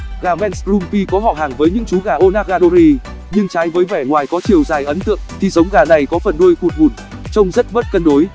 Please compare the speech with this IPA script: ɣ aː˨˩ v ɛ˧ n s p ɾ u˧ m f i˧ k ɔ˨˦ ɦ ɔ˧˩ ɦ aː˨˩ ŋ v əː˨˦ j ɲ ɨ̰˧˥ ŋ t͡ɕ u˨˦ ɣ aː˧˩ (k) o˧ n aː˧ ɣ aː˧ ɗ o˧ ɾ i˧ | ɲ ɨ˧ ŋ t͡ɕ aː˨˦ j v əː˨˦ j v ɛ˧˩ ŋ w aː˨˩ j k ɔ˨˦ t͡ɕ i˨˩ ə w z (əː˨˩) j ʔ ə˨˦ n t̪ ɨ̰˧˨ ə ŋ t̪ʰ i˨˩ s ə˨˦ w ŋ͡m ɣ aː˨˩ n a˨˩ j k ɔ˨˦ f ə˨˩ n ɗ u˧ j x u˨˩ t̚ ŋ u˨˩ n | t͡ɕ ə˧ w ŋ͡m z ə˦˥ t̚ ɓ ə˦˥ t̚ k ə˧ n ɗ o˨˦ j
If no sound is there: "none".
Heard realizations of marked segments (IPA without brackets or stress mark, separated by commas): ʔ, aː˨˩